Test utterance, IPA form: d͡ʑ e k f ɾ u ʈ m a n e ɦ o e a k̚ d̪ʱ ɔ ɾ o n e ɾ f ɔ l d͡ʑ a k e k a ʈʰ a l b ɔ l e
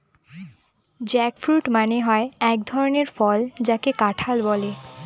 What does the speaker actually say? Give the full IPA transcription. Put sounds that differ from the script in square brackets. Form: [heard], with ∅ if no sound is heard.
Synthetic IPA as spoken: d͡ʑ [ɛ] k f ɾ u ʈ m a n e ɦ [ɔ] e [ɛ] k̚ d̪ʱ ɔ ɾ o n e ɾ f ɔ l d͡ʑ a k e k a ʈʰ a l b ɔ l e